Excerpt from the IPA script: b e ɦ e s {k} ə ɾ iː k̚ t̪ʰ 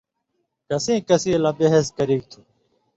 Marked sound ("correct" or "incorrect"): correct